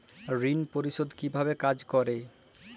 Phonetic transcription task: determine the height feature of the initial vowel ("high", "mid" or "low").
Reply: high